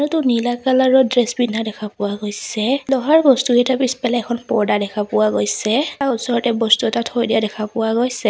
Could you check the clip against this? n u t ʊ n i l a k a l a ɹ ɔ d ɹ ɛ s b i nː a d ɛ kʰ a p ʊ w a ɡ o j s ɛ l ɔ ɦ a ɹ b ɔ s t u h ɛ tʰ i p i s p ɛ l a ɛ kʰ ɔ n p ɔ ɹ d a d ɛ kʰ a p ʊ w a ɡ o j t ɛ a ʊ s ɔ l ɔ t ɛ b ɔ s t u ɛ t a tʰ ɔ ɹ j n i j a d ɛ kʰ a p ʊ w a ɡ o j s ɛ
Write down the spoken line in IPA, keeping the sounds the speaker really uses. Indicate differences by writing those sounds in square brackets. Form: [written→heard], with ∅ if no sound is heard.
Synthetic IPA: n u t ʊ n i l a k a l a ɹ ɔ d ɹ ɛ s b i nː a d ɛ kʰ a p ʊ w a ɡ o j s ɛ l ɔ ɦ a ɹ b ɔ s t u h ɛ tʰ [i→a] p i s p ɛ l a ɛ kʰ ɔ n p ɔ ɹ d a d ɛ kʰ a p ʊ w a ɡ o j [t→s] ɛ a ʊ s ɔ [l→ɹ] ɔ t ɛ b ɔ s t u ɛ t a tʰ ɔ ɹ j [n→d] i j a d ɛ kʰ a p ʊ w a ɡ o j s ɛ